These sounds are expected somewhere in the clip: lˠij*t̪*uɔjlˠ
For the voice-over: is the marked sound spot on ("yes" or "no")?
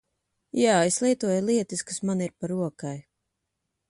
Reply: yes